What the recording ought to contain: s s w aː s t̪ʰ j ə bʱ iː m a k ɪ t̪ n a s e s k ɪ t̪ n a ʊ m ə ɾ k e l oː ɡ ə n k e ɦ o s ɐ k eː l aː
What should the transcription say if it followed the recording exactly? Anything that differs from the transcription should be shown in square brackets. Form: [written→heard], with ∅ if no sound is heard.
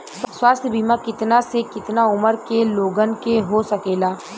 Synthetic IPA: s s w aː s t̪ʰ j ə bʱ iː m a k ɪ t̪ n a s e [s→∅] k ɪ t̪ n a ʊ m ə ɾ k e l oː ɡ ə n k e ɦ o s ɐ k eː l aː